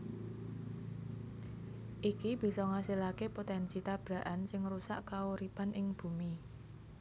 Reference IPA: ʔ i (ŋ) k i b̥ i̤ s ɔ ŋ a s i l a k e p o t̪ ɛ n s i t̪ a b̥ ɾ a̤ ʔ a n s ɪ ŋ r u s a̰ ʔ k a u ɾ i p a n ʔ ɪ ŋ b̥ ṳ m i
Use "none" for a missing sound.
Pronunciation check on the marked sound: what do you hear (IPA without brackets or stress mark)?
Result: none